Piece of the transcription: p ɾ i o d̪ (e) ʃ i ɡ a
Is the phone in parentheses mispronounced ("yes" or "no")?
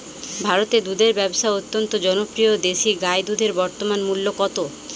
no